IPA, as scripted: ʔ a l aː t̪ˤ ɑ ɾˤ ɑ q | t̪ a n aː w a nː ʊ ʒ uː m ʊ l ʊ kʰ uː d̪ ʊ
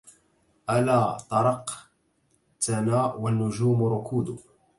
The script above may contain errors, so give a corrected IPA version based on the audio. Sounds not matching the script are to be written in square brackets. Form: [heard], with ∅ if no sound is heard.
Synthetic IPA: ʔ a l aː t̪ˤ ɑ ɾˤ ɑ q | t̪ a n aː w a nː ʊ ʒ uː m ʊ [ɾ] ʊ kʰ uː d̪ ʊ